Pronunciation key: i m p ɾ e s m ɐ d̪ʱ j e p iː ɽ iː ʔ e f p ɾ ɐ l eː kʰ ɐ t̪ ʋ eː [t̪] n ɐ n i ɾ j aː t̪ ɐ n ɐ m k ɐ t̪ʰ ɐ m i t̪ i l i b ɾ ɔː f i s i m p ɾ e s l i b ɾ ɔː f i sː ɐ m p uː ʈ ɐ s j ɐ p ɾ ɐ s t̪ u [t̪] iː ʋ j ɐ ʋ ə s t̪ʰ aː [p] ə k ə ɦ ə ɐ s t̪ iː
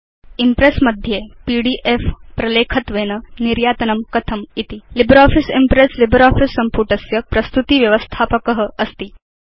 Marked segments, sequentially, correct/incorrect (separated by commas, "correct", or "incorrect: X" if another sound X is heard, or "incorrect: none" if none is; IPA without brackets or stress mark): incorrect: none, correct, correct